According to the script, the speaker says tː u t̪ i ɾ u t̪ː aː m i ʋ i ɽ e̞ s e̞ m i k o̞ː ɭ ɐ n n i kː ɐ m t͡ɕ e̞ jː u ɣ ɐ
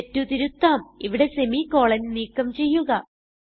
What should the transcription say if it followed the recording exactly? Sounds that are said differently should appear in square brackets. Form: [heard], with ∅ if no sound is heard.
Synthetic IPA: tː u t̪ i ɾ u t̪ː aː m i ʋ i ɽ e̞ s e̞ m i k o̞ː ɭ ɐ n n [iː] kː ɐ m t͡ɕ e̞ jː u ɣ ɐ